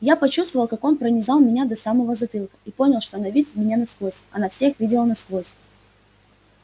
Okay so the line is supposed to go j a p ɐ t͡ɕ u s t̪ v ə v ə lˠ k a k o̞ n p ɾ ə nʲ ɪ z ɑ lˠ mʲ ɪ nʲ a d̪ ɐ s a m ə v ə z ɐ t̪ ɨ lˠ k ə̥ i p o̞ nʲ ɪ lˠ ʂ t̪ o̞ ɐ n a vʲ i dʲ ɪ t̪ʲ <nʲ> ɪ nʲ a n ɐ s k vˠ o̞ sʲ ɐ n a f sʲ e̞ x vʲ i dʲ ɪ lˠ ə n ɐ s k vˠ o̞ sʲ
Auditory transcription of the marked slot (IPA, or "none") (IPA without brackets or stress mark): mʲ